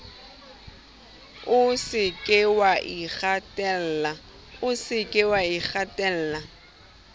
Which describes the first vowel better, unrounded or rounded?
rounded